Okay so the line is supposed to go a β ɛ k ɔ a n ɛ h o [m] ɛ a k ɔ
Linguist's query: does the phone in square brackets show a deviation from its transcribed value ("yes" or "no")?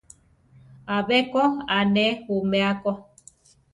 no